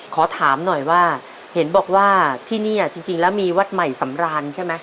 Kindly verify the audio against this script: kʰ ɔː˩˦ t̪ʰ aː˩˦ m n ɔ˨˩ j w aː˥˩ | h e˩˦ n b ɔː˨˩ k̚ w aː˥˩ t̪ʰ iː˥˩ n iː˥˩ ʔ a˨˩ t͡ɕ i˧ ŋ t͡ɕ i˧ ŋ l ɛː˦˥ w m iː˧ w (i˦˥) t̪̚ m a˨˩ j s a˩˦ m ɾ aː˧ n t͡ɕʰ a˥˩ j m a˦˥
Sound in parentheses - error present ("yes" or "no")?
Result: yes